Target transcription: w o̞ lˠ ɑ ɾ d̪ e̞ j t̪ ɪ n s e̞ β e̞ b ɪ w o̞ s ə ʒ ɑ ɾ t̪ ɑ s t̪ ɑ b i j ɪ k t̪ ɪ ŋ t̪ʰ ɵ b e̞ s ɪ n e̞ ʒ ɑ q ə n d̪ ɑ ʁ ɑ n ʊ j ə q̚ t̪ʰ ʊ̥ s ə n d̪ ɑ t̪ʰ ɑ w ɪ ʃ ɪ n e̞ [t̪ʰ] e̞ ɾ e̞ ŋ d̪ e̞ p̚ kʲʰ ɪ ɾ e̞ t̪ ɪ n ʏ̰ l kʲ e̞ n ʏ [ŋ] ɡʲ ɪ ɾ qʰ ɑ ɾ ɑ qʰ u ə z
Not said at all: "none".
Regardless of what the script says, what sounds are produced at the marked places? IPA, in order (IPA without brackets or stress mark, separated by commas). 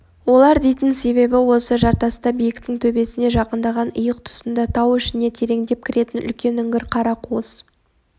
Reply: t̪ʰ, ŋ